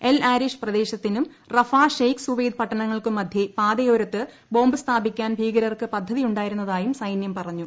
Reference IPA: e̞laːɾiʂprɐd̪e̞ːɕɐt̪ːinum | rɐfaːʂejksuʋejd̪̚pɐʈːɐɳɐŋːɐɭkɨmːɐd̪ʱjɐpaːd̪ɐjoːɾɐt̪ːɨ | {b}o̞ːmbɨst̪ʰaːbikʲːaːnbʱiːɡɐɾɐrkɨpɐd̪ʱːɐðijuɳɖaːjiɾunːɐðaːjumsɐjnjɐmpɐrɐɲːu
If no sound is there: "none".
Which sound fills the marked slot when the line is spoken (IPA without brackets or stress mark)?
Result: b